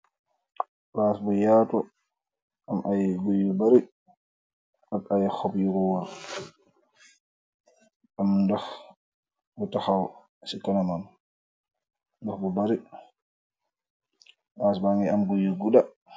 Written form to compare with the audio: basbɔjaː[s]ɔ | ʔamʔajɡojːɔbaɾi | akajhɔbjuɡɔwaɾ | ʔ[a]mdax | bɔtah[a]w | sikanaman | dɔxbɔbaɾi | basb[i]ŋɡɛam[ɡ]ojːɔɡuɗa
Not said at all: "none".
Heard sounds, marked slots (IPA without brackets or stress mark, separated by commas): t, a, a, a, ɡ